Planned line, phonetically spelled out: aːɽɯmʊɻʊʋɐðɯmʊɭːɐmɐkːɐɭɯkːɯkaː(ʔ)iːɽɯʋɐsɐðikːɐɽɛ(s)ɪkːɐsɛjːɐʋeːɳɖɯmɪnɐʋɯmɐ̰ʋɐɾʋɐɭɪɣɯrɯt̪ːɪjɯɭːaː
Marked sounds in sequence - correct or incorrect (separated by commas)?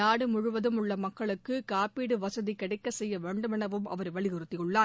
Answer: incorrect, incorrect